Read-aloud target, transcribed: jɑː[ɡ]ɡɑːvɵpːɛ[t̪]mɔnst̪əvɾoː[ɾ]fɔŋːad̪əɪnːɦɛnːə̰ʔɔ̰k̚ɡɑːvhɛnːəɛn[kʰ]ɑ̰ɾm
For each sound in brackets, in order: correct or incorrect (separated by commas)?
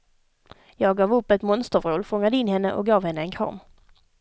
correct, correct, incorrect, correct